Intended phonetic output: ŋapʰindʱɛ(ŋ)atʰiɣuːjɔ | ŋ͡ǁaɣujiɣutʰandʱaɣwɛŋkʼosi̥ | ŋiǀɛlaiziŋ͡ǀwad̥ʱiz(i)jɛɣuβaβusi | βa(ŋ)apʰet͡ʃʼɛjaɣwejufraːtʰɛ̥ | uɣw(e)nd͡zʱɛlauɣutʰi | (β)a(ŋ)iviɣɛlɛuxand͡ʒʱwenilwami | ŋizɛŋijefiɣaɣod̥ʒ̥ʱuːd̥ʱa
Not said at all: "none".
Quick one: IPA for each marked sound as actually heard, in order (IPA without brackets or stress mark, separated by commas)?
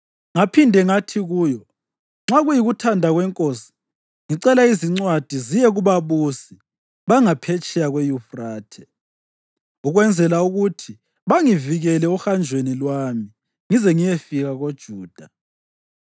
ŋ, i, ŋ, ɛ, β, ŋ